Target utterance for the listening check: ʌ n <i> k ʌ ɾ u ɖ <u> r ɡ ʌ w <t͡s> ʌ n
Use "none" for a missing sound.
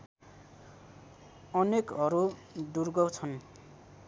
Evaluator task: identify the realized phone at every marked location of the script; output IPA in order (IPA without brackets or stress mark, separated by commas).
e, u, t͡sʰ